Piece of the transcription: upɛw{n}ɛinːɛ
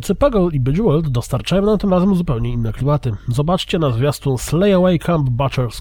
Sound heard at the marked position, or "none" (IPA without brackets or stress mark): ɲ